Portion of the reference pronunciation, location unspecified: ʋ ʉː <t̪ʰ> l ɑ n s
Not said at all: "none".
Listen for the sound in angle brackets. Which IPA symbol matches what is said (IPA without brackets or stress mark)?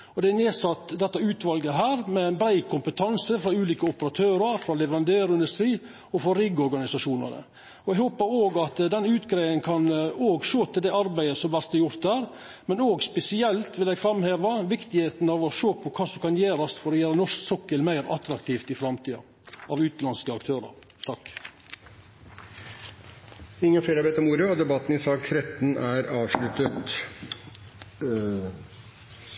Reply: t̪